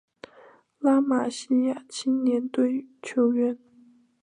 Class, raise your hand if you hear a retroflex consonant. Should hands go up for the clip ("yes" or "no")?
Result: no